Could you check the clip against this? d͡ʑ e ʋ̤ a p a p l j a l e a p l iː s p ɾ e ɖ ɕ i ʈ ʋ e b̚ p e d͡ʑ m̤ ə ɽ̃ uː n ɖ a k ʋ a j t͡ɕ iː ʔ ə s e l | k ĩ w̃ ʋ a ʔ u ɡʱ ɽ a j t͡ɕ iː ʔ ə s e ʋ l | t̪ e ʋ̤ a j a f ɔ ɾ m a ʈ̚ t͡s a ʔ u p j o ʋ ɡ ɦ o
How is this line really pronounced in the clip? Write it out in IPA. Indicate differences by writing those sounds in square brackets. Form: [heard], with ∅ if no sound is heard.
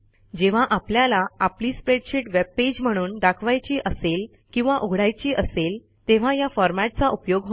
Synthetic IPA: d͡ʑ e ʋ̤ a [ʔ] a p l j a l [a] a p l iː s p ɾ e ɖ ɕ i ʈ ʋ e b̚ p e d͡ʑ m̤ ə ɽ̃ uː n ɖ a [kʰ] ʋ a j t͡ɕ iː ʔ ə s e l | k ĩ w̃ ʋ a ʔ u ɡʱ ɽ a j t͡ɕ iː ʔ ə s e [∅] l | t̪ e ʋ̤ a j a f ɔ ɾ m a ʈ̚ t͡s a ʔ u p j o [∅] ɡ ɦ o

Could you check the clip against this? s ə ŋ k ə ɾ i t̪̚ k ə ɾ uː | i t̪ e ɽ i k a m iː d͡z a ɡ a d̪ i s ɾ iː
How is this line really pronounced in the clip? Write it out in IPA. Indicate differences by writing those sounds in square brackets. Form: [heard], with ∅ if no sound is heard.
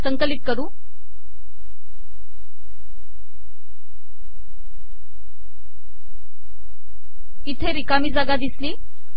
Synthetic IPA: s ə ŋ k ə [l] i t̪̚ k ə ɾ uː | i [t̪ʰ] e [ɾ] i k a m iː d͡z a ɡ a d̪ i s [l] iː

